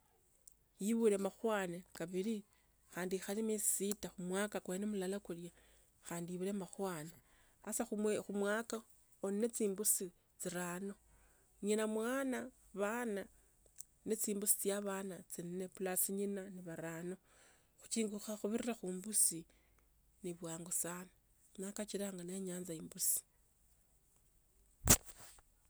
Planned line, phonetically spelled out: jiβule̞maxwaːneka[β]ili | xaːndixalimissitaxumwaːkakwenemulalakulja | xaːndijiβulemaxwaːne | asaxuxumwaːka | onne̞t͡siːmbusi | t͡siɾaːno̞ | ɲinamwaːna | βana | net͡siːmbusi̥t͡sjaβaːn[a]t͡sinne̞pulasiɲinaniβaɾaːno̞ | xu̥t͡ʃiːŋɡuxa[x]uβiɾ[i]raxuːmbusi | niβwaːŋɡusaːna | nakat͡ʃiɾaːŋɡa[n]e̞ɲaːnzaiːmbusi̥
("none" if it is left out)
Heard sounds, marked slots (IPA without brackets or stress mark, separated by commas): β, a, x, i, n